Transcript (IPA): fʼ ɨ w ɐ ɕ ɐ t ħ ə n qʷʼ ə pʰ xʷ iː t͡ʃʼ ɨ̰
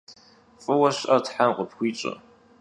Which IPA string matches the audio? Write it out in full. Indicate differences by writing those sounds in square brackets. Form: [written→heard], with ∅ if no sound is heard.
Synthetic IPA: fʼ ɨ w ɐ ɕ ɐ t ħ [ə→a] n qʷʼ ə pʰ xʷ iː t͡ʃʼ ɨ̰